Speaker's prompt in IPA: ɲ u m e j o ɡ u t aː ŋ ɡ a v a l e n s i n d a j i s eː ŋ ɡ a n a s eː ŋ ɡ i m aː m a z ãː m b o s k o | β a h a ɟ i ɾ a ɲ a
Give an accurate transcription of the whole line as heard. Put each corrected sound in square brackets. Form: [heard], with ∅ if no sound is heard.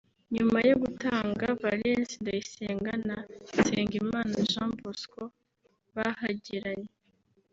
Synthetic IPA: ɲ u m [a] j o ɡ u t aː ŋ ɡ a v a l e n s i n d a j i s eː ŋ ɡ a n a s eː ŋ ɡ i m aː [n] a [ʒ] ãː m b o s k o | β a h a ɟ i ɾ a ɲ [e]